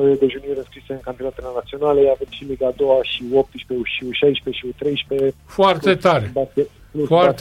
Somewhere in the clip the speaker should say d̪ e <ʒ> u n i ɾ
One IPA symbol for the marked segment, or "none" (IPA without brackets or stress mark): ʒ